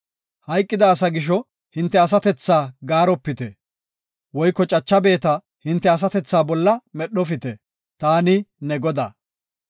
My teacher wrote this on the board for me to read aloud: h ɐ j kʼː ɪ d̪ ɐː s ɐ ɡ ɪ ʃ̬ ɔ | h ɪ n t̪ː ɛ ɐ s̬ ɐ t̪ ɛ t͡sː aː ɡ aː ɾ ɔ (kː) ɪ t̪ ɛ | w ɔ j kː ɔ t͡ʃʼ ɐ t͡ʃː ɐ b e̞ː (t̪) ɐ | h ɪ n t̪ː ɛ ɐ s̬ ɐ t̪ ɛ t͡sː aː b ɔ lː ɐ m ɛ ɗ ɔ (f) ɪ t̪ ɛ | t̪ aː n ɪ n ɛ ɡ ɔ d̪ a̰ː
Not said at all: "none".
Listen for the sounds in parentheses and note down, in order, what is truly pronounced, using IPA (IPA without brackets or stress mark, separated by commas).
pː, t̪, f